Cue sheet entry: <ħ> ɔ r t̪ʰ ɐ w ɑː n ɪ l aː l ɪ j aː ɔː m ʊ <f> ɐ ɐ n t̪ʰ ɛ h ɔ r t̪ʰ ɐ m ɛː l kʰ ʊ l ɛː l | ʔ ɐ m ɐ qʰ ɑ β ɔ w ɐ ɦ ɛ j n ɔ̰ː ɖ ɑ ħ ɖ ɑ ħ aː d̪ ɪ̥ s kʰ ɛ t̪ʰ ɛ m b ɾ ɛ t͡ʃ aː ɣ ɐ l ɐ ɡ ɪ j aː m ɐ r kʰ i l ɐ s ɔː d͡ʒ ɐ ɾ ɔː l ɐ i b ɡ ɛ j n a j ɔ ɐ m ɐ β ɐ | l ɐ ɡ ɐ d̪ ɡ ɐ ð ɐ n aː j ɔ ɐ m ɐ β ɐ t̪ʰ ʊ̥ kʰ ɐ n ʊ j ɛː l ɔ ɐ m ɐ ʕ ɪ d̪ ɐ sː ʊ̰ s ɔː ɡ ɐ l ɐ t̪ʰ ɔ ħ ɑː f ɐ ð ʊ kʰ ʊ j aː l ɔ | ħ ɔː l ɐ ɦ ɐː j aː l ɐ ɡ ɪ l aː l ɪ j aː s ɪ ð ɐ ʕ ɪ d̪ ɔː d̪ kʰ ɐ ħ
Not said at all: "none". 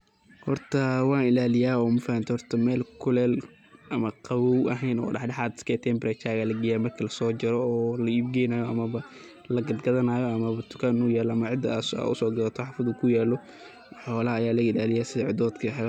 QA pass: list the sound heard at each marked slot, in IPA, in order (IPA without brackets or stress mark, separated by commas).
h, f